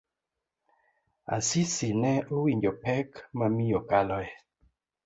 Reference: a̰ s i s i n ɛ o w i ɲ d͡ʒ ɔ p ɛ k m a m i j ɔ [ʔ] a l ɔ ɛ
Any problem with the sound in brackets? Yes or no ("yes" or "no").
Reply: yes